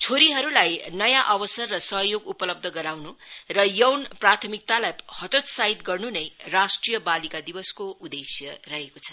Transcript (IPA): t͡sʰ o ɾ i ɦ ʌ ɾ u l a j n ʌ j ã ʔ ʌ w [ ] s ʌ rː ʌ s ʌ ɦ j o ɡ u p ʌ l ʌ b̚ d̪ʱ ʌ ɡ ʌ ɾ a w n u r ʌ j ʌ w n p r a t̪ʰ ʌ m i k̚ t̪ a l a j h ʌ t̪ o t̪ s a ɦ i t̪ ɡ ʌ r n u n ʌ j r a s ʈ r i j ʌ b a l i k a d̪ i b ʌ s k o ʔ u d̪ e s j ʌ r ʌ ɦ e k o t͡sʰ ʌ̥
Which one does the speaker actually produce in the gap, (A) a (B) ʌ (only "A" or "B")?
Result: B